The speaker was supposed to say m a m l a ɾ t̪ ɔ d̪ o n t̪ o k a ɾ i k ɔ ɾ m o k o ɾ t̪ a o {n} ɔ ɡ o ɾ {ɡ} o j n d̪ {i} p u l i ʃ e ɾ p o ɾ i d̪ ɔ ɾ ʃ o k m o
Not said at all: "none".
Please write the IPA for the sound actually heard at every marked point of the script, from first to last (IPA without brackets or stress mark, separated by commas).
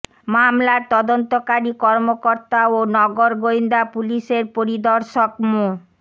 n, ɡ, a